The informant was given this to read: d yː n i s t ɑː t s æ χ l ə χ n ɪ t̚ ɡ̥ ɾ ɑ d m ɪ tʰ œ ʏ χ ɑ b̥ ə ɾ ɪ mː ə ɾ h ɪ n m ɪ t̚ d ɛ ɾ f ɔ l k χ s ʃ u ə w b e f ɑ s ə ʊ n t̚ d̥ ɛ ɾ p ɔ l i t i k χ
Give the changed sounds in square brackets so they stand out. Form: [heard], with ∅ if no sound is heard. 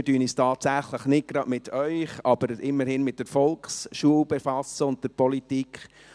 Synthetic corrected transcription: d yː n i s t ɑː t s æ χ l ə χ n ɪ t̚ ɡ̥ ɾ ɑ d m ɪ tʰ œ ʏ χ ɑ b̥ ə ɾ ɪ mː ə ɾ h ɪ n m ɪ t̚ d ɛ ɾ f ɔ l k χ s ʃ u ə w b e f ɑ s ə ʊ n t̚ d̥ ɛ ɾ p ɔ l i t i k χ